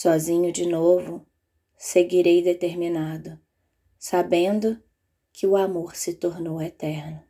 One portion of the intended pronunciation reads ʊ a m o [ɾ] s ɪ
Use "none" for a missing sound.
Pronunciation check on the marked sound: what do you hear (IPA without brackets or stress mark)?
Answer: ɾ